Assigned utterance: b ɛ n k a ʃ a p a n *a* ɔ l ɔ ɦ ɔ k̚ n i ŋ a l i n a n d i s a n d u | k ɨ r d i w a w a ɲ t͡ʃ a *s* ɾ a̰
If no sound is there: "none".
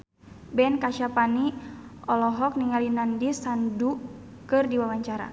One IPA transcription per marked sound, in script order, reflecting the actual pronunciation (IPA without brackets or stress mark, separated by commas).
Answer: i, none